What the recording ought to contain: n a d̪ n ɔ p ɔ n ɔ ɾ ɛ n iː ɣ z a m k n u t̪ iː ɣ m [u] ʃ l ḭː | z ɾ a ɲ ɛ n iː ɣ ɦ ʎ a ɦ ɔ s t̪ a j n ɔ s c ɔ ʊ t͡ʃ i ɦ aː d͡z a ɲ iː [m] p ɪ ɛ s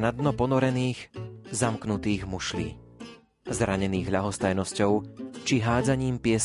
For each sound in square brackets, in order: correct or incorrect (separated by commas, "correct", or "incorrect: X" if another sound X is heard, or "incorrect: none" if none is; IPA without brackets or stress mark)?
correct, correct